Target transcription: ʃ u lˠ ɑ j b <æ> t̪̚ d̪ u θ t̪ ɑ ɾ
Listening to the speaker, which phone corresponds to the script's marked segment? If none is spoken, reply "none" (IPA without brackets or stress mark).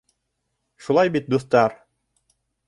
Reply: i